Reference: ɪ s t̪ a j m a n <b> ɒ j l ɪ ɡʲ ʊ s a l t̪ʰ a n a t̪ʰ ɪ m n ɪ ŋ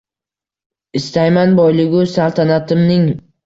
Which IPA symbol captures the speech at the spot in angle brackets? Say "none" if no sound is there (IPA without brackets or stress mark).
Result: b